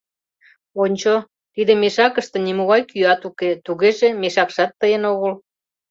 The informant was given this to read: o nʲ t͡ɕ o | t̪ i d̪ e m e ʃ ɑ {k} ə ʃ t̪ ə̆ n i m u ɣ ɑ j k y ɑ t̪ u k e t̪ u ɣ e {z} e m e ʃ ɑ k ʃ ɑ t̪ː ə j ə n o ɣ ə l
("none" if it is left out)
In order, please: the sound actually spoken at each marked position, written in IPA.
k, ʒ

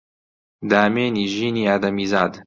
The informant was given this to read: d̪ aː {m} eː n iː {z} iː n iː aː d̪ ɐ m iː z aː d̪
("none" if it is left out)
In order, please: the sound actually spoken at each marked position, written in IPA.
m, ʒ

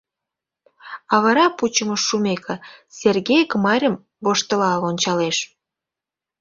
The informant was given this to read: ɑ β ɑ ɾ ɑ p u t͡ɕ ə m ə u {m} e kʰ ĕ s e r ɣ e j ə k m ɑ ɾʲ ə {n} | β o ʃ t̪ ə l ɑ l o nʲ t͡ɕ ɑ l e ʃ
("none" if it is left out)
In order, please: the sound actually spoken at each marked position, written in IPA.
m, m

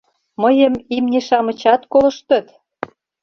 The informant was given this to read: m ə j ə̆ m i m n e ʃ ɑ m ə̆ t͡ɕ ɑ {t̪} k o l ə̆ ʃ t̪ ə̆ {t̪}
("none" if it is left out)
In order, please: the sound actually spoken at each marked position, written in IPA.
t̪, t̪

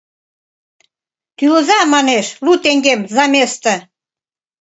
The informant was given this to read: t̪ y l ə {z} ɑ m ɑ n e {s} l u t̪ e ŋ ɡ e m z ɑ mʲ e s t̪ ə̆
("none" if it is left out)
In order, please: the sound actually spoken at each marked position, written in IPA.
z, ʃ

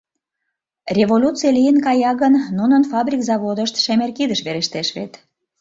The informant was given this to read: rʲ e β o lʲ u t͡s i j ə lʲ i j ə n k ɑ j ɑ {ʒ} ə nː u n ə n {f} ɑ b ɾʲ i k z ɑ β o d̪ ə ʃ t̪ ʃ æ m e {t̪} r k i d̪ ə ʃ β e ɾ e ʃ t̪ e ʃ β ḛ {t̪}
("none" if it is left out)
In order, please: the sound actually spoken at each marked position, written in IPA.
ɣ, f, none, t̪

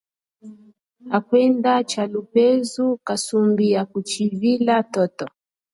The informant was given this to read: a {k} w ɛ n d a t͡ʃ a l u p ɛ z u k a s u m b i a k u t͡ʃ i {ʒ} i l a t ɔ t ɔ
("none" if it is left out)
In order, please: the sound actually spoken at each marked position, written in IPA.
k, v

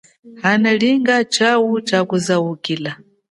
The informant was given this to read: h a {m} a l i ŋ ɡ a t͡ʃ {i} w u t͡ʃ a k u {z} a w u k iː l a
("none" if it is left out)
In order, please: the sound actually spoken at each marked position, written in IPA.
n, a, z

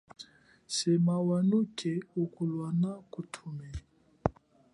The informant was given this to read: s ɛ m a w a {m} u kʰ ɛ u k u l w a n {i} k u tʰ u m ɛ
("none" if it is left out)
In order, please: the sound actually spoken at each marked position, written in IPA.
n, a

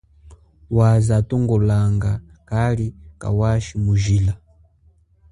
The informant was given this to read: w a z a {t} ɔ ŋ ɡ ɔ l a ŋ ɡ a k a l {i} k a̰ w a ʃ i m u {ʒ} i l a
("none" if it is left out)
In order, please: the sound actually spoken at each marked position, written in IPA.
t, i, ʒ

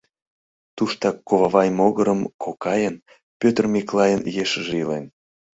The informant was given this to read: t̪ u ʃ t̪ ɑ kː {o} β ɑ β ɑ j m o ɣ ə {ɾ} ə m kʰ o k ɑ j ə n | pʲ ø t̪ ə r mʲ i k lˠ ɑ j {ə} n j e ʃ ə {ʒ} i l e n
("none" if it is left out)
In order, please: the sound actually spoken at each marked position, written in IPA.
o, ɾ, ə, ʒ

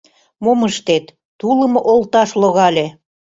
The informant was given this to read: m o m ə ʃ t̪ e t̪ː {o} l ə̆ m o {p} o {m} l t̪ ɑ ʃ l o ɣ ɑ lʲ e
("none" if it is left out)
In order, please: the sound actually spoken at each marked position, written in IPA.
u, ʔ, none

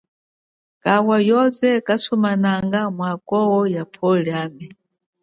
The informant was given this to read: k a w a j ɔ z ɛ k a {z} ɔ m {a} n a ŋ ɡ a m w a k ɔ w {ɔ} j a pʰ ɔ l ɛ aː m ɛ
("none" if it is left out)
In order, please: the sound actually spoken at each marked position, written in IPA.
s, a, ɔ

